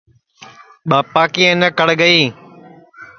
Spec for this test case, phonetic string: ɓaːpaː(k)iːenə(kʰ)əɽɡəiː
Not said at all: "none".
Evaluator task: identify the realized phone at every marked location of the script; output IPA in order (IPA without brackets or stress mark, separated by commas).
k, k